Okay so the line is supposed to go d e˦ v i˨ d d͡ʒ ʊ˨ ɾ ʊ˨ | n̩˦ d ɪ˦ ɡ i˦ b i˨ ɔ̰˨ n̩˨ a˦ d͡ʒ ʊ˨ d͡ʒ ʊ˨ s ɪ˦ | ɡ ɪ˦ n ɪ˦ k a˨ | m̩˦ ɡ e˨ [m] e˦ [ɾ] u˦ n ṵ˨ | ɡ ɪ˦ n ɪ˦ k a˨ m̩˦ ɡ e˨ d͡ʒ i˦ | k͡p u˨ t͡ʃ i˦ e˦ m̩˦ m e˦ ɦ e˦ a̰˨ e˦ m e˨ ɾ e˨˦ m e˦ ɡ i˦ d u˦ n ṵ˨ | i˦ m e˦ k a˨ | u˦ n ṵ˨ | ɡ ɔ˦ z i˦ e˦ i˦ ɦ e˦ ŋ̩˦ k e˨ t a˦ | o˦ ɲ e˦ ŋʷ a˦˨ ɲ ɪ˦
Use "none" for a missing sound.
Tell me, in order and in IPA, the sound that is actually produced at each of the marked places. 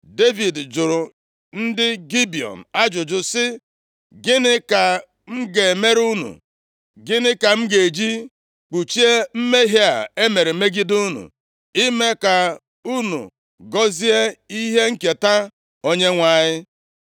m, ɾ

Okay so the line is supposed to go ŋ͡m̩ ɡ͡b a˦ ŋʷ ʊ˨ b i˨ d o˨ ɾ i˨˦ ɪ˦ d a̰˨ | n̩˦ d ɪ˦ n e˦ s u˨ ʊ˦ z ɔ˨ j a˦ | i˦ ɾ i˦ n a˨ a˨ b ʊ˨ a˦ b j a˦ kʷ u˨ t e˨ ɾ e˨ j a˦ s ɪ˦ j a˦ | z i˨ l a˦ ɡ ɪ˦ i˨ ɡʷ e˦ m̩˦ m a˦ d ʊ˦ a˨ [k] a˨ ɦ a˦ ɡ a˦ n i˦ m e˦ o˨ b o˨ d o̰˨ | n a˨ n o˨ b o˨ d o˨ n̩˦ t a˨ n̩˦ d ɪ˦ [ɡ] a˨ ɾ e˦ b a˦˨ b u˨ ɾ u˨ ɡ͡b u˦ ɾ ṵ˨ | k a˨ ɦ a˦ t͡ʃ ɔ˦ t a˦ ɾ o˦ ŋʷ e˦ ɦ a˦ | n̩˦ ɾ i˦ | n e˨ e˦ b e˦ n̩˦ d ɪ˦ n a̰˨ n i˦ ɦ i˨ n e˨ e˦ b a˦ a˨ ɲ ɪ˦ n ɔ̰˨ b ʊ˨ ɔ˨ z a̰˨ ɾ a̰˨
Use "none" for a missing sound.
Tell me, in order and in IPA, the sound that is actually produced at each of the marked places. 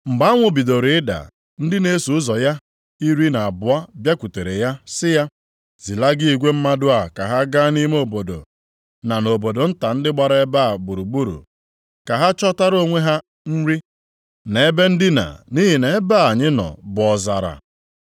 k, ɡ͡b

